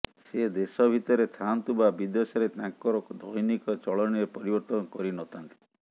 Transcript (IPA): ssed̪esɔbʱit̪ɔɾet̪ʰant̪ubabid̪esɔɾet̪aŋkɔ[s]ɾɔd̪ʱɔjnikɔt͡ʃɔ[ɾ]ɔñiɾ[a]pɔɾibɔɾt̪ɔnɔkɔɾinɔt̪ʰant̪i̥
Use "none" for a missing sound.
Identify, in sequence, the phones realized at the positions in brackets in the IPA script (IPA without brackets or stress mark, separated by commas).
none, ɭ, e